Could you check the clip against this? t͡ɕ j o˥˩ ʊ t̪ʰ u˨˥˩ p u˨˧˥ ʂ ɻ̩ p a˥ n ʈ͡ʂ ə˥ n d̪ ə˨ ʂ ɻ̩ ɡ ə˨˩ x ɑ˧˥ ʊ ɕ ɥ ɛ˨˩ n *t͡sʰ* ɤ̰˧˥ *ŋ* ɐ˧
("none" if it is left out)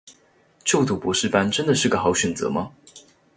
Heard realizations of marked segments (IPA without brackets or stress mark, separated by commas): t͡s, m